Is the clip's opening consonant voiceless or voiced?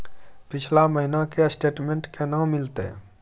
voiceless